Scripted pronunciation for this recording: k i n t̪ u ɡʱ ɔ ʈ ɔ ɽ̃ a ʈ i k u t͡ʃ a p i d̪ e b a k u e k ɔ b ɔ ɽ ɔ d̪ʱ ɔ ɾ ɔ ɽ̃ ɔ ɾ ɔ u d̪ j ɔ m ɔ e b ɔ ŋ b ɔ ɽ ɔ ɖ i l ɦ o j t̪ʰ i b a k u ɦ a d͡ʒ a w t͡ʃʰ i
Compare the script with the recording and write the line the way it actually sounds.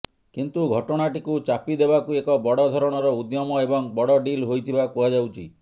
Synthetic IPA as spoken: k i n t̪ u ɡʱ ɔ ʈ ɔ ɽ̃ a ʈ i k u t͡ʃ a p i d̪ e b a k u e k ɔ b ɔ ɽ ɔ d̪ʱ ɔ ɾ ɔ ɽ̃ ɔ ɾ ɔ u d̪ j ɔ m ɔ e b ɔ ŋ b ɔ ɽ ɔ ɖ i l ɦ o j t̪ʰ i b a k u ɦ a d͡ʒ a w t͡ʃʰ i